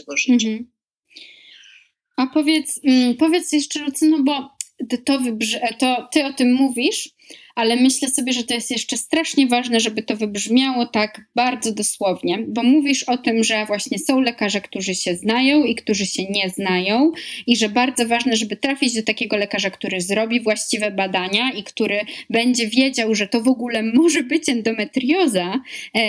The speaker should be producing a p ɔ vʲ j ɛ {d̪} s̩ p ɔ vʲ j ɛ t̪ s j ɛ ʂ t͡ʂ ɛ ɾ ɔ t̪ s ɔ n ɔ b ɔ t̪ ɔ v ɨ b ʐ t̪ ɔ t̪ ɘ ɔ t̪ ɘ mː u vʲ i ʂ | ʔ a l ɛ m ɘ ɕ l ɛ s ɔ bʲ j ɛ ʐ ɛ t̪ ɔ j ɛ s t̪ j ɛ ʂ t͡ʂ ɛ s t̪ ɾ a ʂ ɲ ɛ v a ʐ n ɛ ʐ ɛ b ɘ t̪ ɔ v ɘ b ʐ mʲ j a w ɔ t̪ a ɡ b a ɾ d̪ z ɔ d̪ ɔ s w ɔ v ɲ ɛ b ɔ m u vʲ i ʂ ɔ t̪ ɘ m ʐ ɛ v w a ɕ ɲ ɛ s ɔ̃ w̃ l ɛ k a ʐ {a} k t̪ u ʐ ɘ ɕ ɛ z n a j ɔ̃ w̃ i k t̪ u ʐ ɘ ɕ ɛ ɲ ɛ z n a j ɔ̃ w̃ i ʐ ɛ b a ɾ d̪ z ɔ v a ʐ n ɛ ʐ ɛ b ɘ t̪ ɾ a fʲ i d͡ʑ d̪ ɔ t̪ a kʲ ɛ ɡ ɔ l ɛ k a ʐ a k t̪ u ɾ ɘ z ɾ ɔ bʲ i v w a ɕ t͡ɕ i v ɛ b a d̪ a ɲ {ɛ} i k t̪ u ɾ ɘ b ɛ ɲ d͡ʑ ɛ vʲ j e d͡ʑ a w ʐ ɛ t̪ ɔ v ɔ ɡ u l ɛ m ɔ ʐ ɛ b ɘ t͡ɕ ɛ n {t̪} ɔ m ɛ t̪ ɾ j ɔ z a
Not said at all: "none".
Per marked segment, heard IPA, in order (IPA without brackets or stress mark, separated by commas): t̪, ɛ, a, d̪